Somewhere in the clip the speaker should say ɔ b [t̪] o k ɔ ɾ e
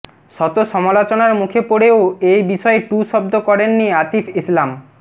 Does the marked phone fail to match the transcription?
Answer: yes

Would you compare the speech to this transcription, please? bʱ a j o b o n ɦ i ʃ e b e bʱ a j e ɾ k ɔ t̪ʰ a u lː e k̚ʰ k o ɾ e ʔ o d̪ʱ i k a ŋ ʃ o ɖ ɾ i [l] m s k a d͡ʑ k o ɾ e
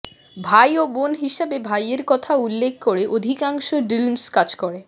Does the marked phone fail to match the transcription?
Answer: no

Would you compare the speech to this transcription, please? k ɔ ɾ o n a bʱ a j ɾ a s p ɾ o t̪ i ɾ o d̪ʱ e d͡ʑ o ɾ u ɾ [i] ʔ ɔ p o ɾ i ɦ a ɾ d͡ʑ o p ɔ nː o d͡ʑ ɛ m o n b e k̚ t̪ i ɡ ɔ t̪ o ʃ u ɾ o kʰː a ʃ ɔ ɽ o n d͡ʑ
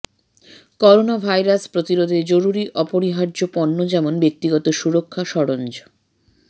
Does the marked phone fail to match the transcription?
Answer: no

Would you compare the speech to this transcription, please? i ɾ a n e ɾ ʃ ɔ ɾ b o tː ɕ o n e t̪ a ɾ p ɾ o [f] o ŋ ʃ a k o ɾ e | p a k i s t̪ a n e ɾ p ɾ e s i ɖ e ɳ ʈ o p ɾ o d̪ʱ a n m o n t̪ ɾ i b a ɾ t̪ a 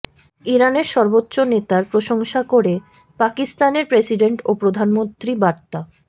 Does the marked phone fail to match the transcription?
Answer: yes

